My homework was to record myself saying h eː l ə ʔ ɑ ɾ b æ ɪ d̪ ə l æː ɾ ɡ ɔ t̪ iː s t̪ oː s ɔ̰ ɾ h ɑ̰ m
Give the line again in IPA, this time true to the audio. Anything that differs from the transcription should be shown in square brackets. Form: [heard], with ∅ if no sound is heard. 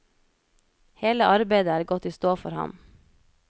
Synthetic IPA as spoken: h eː l ə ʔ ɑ ɾ b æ ɪ d̪ ə [∅] æː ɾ ɡ ɔ t̪ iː s t̪ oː [f] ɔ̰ ɾ h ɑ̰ m